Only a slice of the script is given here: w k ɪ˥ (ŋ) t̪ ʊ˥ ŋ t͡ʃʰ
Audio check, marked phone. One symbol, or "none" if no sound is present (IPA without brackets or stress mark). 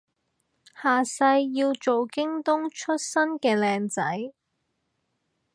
ŋ